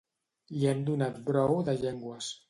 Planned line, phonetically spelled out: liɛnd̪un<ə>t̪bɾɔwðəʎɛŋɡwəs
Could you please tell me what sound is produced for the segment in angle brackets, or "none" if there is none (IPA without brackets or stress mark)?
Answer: a